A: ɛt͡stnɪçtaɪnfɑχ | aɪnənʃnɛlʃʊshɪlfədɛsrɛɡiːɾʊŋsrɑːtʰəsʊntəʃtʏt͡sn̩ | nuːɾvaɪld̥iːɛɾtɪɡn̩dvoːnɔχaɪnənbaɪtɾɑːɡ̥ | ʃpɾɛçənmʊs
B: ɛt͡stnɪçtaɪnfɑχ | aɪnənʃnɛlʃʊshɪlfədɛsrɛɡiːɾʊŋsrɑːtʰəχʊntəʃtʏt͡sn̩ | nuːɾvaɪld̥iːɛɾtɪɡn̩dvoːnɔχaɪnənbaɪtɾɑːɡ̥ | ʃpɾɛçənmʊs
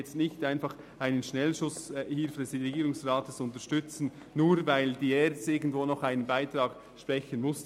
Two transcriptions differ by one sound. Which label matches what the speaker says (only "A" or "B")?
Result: A